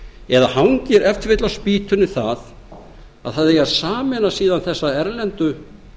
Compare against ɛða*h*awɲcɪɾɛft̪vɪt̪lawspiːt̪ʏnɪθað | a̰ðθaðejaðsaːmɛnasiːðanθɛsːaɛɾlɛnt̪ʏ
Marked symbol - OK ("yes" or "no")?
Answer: yes